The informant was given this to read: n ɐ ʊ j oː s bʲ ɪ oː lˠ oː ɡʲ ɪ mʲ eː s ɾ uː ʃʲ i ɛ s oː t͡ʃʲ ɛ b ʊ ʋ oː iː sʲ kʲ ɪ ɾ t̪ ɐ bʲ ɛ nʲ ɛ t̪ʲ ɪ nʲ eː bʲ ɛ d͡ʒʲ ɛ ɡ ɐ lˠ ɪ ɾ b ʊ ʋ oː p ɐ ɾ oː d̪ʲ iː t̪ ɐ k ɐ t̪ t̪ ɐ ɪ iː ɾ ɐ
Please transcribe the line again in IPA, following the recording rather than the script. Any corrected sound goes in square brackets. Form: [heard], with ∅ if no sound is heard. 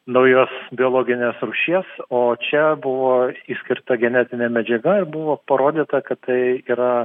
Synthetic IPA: n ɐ ʊ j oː s bʲ ɪ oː lˠ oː ɡʲ ɪ [nʲ] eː s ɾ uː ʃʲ i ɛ s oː t͡ʃʲ ɛ b ʊ ʋ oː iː sʲ kʲ ɪ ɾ t̪ ɐ [ɡʲ] ɛ nʲ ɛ t̪ʲ ɪ nʲ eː [mʲ] ɛ d͡ʒʲ ɛ ɡ ɐ [∅] ɪ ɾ b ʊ ʋ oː p ɐ ɾ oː d̪ʲ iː t̪ ɐ k ɐ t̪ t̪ ɐ ɪ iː ɾ ɐ